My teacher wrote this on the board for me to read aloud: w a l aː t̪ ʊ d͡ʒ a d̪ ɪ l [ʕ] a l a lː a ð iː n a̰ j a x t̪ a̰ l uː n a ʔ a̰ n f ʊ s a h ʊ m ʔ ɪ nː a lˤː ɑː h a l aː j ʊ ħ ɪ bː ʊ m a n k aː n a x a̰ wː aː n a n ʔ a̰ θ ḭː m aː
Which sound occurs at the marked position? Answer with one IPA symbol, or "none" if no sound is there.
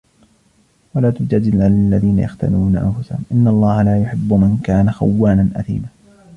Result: ʕ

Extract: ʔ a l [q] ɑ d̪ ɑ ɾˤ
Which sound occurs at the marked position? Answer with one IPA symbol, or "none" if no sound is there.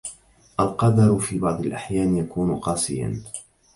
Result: q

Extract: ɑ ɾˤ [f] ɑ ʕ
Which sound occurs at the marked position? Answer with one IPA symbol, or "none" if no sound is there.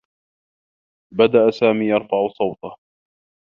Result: f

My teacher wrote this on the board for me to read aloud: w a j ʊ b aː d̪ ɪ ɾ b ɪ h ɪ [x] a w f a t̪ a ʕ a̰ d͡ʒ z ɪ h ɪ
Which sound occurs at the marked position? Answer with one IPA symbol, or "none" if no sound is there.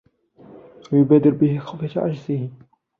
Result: x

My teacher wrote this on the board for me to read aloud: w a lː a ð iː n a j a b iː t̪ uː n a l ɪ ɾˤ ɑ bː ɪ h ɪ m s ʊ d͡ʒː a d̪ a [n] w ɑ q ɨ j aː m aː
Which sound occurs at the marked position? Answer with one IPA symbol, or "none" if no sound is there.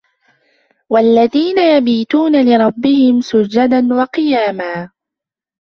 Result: n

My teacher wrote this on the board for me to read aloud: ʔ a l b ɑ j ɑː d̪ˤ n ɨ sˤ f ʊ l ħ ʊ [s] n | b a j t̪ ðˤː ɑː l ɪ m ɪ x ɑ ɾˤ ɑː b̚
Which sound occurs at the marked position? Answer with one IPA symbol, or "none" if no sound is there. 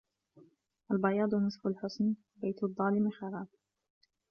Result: s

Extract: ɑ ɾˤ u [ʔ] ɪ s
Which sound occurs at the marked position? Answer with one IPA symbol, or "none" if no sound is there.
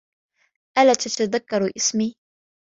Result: ʔ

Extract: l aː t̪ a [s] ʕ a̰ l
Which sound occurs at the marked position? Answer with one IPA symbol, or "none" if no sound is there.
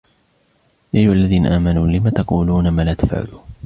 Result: f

